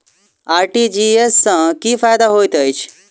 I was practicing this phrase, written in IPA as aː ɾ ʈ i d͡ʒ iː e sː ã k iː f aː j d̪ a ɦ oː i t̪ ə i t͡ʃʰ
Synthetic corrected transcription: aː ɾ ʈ i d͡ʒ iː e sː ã k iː f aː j d̪ a ɦ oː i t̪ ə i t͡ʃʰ